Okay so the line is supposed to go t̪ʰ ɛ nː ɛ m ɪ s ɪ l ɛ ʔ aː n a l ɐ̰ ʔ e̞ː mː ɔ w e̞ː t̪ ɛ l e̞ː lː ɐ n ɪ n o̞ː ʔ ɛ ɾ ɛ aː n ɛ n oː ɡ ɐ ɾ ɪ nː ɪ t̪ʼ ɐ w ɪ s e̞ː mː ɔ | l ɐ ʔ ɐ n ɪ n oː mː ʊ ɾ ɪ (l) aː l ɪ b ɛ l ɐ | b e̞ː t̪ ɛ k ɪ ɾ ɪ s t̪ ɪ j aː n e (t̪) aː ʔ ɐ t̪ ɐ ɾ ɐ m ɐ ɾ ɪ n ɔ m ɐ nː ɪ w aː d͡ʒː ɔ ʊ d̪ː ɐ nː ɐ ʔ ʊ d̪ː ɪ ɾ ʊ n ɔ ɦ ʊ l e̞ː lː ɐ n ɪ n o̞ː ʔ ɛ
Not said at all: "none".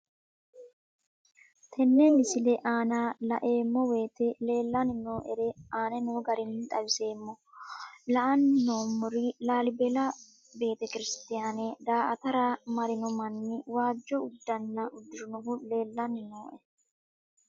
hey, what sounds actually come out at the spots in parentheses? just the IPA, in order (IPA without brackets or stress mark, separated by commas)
l, d̪